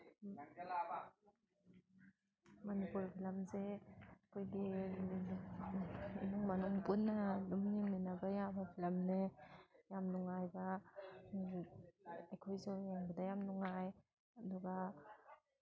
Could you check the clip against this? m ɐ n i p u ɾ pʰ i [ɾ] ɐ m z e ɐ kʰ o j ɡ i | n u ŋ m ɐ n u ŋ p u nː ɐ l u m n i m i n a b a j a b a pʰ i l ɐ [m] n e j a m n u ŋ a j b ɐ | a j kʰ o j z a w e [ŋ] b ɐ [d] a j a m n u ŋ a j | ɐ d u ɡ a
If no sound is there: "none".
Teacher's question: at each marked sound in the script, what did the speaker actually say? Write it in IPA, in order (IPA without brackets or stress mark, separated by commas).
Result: l, m, ŋ, d